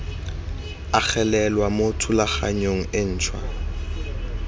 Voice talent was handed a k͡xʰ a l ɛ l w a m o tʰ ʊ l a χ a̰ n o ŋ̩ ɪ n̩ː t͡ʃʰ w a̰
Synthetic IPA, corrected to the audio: a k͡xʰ ɛ l ɛ l w a m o tʰ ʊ l a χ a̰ ɲ o ŋ̩ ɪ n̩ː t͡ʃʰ w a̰